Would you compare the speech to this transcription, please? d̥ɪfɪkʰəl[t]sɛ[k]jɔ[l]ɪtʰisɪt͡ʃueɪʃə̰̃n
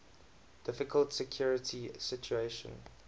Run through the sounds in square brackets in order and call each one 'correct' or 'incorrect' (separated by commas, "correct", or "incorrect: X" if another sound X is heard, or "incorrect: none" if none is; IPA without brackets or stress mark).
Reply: correct, incorrect: kʰ, incorrect: ɹ